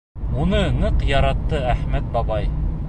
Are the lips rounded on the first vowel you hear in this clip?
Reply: yes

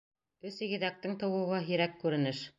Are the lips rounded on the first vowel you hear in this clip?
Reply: yes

